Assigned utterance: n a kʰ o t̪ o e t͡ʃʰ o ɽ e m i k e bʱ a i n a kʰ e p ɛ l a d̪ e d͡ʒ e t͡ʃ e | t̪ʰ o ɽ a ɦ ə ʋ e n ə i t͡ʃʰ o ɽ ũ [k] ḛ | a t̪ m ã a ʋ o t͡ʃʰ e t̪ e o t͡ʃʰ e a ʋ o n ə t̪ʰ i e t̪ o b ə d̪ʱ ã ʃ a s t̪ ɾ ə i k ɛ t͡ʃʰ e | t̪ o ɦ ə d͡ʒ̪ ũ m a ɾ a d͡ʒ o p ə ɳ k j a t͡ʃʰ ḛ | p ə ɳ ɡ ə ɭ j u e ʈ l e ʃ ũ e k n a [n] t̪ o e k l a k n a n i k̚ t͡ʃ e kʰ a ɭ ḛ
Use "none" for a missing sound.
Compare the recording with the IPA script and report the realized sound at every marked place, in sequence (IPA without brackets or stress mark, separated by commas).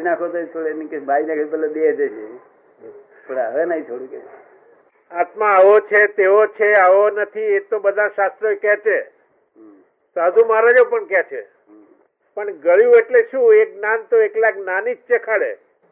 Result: k, n